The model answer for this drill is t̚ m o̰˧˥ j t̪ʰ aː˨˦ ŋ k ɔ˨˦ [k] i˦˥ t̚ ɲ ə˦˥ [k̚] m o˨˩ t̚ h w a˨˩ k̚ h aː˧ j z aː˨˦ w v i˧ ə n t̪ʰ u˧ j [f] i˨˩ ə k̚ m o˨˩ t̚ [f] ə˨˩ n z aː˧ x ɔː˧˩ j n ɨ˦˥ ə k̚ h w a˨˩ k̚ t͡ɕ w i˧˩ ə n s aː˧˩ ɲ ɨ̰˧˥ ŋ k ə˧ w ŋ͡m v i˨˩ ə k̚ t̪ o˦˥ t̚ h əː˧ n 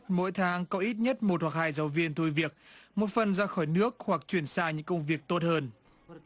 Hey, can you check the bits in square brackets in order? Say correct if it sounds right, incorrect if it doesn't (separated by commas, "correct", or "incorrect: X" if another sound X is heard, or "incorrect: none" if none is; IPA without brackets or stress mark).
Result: incorrect: ʔ, incorrect: t̚, incorrect: v, correct